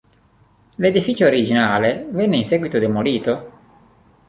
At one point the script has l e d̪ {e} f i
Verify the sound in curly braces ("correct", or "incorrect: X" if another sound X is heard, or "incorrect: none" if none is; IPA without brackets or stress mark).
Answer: incorrect: i